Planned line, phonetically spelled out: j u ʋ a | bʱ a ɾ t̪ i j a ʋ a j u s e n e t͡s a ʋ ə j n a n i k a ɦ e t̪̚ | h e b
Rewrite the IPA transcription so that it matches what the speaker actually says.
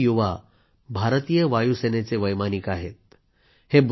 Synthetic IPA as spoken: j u ʋ a | bʱ a ɾ t̪ i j ə ʋ a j u s e n e t͡s e ʋ ə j m a n i k a ɦ e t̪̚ | h e b